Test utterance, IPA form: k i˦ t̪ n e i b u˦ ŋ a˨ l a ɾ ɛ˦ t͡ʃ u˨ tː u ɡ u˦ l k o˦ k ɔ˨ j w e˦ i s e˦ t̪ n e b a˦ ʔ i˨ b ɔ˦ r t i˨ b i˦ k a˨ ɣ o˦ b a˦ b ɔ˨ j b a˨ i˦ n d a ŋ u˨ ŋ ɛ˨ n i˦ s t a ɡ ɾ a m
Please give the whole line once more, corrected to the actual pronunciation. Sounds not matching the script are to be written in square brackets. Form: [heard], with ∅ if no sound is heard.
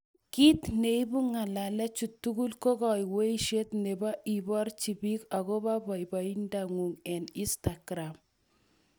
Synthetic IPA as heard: k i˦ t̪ n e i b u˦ ŋ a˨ l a [l] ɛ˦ t͡ʃ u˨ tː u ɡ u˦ l k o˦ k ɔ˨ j w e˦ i [ʃ] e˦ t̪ n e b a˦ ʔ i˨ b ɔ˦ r [t͡ʃ] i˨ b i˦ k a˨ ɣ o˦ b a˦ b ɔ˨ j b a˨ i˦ n d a ŋ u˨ ŋ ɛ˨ n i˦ s t a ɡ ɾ a m